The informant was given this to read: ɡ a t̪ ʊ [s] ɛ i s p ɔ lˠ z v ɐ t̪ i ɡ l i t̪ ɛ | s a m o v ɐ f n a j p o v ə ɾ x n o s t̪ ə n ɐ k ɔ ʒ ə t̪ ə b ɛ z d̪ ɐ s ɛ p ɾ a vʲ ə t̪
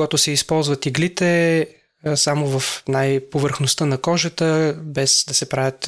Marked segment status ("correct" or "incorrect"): correct